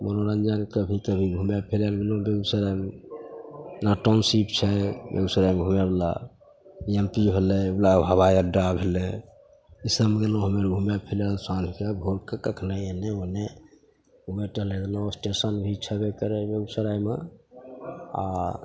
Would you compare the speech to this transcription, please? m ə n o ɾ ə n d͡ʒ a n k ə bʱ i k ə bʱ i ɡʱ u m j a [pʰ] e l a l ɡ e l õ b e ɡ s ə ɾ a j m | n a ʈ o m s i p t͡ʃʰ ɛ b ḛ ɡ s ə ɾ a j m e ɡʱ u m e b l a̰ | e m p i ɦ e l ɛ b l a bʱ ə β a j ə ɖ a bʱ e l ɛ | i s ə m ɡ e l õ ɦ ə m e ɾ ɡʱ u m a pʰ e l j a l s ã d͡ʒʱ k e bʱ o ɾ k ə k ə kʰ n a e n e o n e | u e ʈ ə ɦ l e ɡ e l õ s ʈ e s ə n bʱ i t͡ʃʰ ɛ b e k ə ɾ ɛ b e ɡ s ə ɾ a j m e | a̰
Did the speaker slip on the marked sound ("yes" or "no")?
no